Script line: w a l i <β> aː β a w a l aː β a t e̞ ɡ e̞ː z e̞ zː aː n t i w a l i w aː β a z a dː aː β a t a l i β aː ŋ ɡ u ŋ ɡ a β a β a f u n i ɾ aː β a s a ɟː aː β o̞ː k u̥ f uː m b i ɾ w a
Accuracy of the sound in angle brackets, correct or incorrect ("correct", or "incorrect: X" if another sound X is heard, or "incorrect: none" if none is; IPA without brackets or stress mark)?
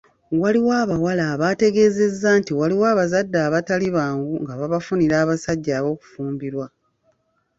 incorrect: w